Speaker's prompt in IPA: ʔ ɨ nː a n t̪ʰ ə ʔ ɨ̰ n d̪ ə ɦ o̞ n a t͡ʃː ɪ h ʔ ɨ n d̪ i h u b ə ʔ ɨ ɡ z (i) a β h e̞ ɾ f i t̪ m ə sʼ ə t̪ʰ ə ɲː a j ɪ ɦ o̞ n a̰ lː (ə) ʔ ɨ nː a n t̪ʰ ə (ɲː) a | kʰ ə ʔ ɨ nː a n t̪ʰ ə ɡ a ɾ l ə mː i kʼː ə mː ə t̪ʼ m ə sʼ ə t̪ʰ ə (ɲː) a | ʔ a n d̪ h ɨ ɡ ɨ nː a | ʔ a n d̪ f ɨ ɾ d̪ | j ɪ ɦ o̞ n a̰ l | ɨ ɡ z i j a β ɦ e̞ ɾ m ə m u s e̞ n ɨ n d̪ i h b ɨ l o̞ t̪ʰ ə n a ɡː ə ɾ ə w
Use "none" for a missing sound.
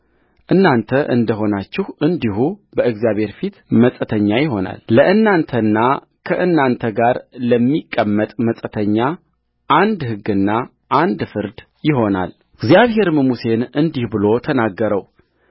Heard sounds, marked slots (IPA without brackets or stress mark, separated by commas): j, ə, nː, ɲː